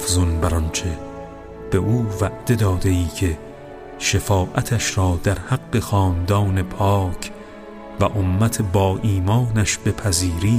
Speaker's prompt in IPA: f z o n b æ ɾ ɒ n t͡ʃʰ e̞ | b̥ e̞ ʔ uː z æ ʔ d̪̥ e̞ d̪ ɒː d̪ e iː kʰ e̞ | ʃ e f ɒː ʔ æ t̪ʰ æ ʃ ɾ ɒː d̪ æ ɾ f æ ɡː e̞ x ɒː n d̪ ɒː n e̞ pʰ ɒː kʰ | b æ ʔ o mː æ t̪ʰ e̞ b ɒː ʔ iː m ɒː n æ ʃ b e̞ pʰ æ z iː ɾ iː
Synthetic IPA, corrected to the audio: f z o n b æ ɾ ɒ n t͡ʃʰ e̞ | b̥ e̞ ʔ uː v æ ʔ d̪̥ e̞ d̪ ɒː d̪ e iː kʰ e̞ | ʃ e f ɒː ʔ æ t̪ʰ æ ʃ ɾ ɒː d̪ æ ɾ h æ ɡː e̞ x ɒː n d̪ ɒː n e̞ pʰ ɒː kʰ | v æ ʔ o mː æ t̪ʰ e̞ b ɒː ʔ iː m ɒː n æ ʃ b e̞ pʰ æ z iː ɾ iː